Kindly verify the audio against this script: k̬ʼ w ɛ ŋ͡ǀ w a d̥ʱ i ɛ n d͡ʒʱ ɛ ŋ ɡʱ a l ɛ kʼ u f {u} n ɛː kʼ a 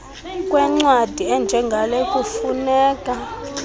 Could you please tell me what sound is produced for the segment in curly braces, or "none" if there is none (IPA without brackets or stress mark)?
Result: u